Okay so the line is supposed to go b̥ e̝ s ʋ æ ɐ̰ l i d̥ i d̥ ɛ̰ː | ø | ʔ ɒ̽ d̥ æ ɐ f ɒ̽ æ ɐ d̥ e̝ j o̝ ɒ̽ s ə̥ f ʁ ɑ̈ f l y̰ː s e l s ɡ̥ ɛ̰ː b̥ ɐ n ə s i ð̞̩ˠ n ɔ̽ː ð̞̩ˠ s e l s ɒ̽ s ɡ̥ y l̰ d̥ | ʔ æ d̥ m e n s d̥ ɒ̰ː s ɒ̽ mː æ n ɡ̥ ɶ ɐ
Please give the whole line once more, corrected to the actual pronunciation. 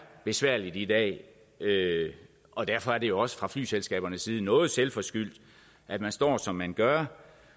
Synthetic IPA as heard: b̥ e̝ s ʋ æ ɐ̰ l i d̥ i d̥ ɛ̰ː | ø | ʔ ɒ̽ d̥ æ ɐ f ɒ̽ æ ɐ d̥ e̝ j o̝ ɒ̽ s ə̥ f ʁ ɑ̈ f l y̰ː s e l s ɡ̥ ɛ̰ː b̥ ɐ n ə s iː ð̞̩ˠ n ɔ̽ː ð̞̩ˠ s e l f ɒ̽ s ɡ̥ y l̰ d̥ | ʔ æ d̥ m æ n s d̥ ɒ̰ː s ɒ̽ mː æ n ɡ̥ ɶ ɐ